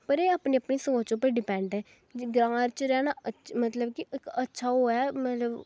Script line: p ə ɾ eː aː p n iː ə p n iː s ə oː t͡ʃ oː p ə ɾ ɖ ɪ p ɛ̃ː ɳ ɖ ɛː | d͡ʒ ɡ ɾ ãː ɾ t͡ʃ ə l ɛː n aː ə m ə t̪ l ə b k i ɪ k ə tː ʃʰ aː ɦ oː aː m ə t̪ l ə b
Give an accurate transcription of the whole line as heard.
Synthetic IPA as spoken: p ə ɾ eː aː p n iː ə p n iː s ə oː t͡ʃ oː p ə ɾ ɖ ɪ p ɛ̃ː ɳ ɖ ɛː | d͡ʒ ɡ ɾ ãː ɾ t͡ʃ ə ɾ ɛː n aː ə m ə t̪ l ə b k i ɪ k ə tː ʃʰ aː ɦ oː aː m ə t̪ l ə b